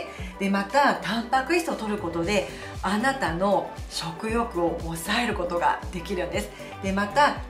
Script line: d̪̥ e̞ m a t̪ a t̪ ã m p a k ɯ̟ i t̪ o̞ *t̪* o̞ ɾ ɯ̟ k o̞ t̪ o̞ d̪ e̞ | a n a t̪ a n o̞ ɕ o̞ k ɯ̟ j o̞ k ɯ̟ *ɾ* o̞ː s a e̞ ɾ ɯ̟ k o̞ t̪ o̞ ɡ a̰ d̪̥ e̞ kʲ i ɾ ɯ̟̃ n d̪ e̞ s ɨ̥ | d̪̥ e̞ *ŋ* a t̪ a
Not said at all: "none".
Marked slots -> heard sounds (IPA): t̪, none, m

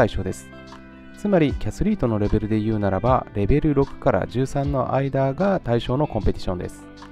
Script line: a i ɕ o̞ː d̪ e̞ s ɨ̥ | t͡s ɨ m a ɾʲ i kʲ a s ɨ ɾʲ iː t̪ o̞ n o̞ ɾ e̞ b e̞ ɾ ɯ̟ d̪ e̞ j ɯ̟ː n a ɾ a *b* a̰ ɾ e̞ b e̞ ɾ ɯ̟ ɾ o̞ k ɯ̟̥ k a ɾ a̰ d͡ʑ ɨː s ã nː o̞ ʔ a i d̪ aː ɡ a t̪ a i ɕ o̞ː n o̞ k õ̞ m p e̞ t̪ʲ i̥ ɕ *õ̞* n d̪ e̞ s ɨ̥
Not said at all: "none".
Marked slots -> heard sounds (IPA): b, õ̞

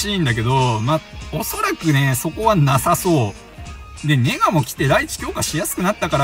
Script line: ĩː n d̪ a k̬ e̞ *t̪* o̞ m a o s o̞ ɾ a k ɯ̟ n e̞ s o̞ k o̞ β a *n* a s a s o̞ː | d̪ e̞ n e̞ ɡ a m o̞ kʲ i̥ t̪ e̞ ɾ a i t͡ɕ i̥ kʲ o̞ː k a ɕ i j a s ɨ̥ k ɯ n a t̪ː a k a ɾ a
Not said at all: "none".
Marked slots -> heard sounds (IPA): d̪, n

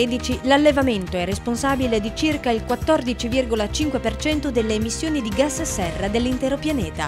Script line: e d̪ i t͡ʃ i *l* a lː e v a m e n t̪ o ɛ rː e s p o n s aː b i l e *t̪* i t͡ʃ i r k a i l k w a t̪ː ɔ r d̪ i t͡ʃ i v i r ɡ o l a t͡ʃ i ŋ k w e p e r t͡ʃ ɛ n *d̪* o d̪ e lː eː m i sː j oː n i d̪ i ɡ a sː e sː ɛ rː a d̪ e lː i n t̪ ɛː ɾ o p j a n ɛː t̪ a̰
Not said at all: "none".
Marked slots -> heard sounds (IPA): l, d̪, t̪

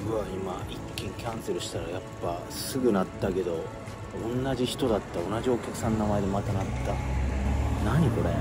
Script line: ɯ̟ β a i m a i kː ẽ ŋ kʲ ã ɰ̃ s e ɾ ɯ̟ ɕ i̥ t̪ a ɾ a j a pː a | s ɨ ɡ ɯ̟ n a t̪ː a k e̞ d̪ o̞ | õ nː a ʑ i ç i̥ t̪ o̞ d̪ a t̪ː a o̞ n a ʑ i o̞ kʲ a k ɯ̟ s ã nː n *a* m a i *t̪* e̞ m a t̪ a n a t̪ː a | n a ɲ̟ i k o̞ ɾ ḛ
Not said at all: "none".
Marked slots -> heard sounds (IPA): a, d̪

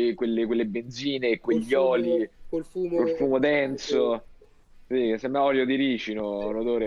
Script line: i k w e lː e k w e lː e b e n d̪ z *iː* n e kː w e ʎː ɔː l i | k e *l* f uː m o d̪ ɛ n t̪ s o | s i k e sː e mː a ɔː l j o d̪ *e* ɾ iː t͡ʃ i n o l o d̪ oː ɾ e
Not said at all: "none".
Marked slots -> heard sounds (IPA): iː, l, i

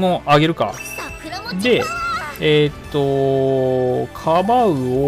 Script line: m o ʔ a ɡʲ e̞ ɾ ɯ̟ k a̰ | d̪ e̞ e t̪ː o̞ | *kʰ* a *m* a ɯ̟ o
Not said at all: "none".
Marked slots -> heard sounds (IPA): kʰ, b

